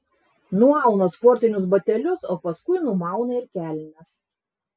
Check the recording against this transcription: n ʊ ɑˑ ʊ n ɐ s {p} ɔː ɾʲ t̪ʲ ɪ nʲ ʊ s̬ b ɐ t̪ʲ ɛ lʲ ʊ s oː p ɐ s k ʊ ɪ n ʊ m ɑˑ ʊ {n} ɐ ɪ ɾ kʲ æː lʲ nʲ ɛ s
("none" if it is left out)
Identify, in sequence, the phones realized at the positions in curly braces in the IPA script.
p, n

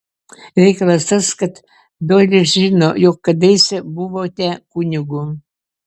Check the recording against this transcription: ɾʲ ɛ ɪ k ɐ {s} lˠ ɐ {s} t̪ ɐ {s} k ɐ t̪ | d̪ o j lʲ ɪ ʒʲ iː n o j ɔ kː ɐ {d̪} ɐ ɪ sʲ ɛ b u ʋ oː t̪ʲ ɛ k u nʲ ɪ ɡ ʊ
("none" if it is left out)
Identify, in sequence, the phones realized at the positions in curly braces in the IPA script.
none, s, s, d̪

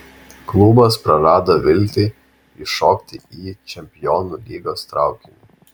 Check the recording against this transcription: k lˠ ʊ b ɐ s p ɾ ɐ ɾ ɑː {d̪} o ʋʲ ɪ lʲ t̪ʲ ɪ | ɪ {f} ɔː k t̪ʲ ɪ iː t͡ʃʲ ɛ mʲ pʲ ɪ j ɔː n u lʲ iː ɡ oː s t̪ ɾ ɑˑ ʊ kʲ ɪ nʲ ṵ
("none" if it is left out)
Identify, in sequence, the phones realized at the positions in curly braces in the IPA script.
d̪, ʃ

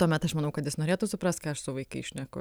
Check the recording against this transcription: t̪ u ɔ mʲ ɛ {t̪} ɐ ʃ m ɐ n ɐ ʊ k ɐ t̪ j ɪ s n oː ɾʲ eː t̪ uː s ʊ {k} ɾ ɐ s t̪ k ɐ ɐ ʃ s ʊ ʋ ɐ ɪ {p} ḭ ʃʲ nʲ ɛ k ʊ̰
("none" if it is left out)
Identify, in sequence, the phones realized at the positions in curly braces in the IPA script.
t̪, p, k

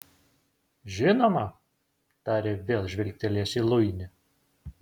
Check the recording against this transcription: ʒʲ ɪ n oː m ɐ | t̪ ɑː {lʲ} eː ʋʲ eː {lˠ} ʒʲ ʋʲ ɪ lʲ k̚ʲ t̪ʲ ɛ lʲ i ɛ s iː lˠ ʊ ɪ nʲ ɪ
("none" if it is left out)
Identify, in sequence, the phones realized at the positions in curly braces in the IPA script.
ɾʲ, lˠ

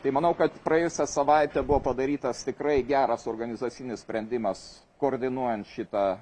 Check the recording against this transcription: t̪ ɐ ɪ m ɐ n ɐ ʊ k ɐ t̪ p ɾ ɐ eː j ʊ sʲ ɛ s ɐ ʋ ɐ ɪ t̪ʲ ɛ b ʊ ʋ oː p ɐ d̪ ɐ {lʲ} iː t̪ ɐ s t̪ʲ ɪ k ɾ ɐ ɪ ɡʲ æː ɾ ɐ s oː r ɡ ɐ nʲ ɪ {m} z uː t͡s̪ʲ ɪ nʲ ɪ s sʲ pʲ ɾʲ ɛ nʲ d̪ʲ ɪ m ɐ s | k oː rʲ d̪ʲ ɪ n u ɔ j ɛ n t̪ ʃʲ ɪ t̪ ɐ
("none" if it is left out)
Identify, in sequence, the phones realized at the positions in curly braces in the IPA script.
ɾʲ, none

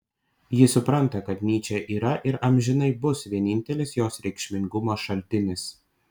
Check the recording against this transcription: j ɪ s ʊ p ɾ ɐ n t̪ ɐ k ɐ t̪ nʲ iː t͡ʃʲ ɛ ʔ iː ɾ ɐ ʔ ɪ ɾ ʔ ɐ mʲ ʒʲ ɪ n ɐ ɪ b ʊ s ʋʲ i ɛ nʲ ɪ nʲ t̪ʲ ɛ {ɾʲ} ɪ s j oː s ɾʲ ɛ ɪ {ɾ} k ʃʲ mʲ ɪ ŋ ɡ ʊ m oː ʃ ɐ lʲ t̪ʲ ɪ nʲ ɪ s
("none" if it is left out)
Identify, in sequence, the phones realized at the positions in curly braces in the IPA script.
lʲ, none

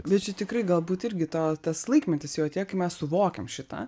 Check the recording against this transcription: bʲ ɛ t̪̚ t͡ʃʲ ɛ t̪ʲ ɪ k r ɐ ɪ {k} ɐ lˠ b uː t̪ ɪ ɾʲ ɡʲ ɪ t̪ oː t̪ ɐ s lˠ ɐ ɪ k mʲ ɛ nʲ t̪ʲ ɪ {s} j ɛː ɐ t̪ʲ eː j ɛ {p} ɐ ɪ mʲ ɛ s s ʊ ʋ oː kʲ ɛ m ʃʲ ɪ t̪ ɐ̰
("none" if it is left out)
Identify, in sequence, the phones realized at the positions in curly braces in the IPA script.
ɡ, s, k

